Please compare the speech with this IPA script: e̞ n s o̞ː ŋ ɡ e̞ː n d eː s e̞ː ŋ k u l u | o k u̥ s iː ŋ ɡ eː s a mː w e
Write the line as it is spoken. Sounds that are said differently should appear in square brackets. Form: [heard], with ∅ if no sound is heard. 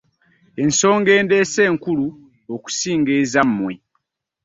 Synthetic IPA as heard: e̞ n s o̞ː ŋ ɡ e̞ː n d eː s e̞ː ŋ k u l u | o k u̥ s iː ŋ ɡ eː [z] a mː w e